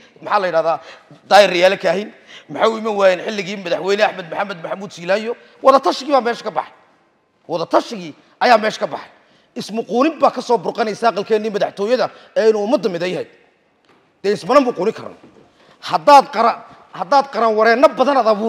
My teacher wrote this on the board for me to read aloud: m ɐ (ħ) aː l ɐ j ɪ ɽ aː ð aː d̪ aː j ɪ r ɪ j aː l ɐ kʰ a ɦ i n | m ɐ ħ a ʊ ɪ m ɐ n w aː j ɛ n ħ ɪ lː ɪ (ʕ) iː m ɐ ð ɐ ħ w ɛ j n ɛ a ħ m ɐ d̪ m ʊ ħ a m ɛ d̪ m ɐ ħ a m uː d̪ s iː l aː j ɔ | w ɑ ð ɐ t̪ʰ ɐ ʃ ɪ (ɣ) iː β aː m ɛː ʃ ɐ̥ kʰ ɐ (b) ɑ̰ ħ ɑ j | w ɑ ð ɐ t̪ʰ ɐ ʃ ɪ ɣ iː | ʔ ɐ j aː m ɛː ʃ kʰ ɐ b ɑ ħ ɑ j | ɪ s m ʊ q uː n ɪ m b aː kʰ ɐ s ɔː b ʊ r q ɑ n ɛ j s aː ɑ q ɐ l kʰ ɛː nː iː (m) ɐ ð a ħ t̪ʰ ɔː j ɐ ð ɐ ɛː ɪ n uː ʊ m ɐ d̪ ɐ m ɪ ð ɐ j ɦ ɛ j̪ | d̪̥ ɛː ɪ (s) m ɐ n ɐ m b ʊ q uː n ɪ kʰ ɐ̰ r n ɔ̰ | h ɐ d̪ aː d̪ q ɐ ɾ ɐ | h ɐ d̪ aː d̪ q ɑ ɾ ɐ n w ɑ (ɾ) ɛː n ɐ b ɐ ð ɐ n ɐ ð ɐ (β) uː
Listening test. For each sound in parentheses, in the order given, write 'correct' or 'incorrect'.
correct, incorrect: ɣ, correct, correct, correct, correct, correct, correct

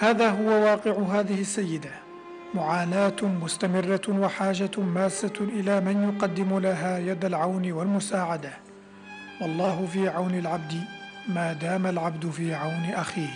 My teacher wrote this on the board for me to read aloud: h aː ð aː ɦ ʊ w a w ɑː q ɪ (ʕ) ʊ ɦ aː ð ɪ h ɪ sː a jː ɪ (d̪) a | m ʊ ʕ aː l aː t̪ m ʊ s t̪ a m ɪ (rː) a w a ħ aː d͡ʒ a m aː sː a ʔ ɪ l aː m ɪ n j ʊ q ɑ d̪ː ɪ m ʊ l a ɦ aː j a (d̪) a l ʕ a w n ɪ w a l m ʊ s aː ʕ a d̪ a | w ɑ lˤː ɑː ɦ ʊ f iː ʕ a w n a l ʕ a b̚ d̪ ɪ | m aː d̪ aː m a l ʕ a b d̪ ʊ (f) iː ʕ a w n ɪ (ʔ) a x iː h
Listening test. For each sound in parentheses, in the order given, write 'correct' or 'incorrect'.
correct, correct, correct, correct, correct, correct

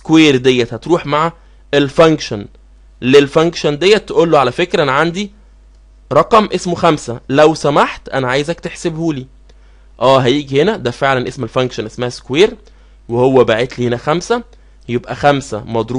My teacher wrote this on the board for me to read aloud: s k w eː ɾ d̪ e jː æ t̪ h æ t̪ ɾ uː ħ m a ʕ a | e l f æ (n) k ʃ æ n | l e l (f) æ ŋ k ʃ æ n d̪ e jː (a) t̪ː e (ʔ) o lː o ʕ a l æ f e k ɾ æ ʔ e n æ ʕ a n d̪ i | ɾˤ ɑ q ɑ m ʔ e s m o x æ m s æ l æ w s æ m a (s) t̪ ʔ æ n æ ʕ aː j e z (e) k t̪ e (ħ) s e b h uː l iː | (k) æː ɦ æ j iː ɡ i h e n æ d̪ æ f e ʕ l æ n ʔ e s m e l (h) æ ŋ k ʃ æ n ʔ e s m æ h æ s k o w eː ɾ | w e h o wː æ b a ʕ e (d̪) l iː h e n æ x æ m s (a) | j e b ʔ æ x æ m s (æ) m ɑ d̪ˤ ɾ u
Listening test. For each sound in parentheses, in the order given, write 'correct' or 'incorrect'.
incorrect: ŋ, correct, incorrect: æ, correct, incorrect: ħ, incorrect: æ, correct, incorrect: ʔ, incorrect: f, incorrect: t̪, incorrect: æ, correct

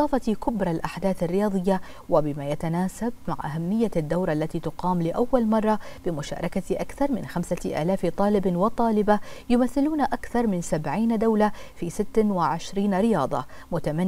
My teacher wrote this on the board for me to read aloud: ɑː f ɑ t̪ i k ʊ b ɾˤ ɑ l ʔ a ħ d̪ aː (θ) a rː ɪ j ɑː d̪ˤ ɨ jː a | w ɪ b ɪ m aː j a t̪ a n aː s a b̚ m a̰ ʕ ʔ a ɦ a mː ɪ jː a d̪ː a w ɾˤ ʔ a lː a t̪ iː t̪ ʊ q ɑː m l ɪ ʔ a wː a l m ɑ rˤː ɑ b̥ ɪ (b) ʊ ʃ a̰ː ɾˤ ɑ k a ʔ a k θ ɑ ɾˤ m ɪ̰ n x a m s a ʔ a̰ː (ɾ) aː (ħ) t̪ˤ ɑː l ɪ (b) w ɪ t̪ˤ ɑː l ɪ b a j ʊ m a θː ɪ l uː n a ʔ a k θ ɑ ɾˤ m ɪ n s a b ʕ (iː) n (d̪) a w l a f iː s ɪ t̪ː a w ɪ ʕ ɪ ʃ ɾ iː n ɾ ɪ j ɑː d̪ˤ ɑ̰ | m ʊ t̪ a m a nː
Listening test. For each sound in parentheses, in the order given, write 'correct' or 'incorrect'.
correct, incorrect: m, incorrect: l, incorrect: f, correct, correct, correct

